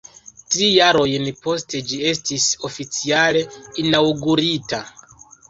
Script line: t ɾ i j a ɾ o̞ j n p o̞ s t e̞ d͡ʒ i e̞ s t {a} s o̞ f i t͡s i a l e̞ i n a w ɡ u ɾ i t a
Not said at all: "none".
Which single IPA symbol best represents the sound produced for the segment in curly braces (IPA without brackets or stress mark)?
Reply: i